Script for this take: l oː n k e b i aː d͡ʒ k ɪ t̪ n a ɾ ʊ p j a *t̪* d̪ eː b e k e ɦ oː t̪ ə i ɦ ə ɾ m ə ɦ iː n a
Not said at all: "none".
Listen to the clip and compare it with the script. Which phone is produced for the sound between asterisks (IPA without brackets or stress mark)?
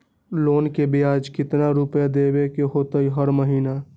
none